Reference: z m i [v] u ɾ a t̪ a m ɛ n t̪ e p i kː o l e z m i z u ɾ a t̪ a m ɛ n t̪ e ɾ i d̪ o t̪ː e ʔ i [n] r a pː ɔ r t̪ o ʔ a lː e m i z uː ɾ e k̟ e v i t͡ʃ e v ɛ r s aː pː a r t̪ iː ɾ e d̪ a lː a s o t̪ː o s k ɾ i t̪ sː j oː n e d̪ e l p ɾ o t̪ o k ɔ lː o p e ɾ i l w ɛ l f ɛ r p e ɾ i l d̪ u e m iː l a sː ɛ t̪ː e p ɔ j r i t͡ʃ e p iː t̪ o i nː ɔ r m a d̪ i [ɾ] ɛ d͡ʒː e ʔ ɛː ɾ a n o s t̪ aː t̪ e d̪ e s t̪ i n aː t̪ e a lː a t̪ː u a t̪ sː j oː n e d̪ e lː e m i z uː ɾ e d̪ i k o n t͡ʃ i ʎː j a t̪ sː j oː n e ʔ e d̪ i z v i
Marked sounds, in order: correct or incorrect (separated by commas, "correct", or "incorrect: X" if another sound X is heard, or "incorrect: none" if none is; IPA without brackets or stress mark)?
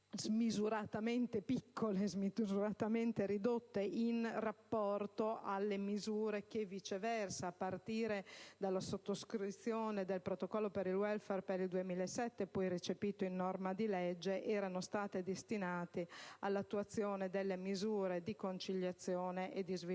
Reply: incorrect: z, correct, incorrect: l